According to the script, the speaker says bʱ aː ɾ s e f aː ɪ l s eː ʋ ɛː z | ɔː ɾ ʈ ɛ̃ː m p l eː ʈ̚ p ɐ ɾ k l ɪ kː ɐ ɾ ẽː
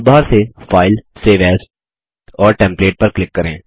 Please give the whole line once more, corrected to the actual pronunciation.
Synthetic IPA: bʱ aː ɾ s e f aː ɪ l s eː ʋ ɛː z | ɔː ɾ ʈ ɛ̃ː m p l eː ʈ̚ p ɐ ɾ k l ɪ kː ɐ ɾ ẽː